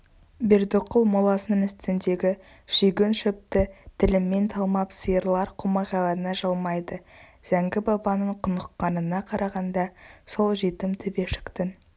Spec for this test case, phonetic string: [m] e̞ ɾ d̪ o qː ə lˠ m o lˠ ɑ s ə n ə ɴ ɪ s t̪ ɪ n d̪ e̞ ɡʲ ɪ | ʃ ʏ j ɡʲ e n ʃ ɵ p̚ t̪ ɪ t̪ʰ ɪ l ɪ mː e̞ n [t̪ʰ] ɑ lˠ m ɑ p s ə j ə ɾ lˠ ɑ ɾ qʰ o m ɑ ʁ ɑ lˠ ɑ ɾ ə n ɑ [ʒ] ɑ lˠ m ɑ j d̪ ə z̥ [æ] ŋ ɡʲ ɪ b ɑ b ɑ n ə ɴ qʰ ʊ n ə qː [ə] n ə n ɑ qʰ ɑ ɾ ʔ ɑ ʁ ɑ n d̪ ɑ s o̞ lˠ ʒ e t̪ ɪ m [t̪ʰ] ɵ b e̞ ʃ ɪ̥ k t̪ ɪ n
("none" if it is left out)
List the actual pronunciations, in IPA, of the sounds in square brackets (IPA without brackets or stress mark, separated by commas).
b, t̪ʰ, ʒ, æ, ɑ, t̪ʰ